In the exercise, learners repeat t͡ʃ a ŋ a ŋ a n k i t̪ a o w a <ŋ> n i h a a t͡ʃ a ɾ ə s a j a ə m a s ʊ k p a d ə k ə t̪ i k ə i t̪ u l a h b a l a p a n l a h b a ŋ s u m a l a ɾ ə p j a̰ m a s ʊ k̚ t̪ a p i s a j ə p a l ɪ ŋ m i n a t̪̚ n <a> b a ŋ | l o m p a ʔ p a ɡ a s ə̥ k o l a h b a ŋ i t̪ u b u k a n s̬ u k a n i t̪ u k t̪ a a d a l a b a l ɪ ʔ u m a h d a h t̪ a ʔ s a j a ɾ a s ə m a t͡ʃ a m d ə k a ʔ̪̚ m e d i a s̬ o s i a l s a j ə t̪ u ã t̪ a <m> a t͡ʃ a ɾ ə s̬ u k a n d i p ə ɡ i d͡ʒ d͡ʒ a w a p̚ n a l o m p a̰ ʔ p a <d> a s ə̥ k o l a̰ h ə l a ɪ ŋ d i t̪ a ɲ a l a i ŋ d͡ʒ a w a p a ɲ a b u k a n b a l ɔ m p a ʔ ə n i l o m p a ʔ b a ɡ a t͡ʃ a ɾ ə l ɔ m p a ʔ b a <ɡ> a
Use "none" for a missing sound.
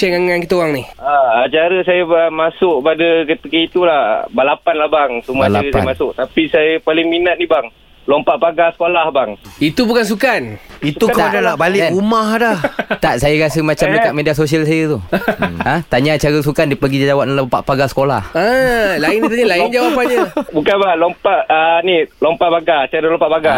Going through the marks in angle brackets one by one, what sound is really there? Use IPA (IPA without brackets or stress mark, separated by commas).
ŋ, i, ɲ, ɡ, ɡ